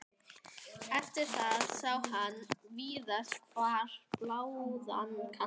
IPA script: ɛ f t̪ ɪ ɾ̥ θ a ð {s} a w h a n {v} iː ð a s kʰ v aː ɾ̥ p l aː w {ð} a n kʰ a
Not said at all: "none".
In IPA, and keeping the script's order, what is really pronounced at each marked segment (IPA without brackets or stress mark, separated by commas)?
s, v, ð